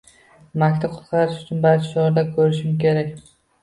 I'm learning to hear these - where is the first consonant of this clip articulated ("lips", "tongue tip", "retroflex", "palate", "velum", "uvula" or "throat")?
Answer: lips